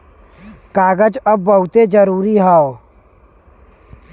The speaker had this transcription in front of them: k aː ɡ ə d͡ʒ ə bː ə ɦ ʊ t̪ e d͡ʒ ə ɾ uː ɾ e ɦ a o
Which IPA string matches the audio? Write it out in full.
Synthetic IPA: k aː ɡ ə d͡ʒ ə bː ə ɦ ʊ t̪ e d͡ʒ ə ɾ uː ɾ i ɦ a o